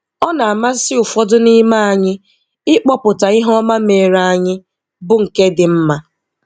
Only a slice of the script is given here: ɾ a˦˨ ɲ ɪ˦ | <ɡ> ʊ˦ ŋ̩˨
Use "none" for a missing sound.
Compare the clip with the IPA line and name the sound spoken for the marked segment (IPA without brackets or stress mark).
b